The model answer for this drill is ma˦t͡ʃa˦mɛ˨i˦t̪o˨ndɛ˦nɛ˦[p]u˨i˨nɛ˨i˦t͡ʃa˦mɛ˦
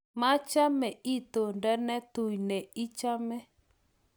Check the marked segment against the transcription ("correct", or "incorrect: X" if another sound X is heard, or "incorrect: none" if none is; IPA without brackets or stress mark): incorrect: t